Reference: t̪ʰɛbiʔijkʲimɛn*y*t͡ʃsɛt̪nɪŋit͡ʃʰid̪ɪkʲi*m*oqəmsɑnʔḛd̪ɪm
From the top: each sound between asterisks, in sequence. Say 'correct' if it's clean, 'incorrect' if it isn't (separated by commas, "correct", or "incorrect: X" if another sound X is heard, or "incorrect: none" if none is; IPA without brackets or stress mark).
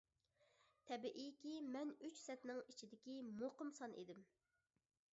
correct, correct